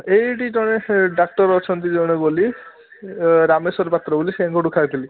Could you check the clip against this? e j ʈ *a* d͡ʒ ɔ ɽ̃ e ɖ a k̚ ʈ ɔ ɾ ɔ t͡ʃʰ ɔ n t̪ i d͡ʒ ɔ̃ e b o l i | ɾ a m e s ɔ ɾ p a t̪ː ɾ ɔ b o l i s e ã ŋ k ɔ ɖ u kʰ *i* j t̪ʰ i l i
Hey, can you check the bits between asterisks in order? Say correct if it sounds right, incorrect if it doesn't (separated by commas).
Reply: incorrect, incorrect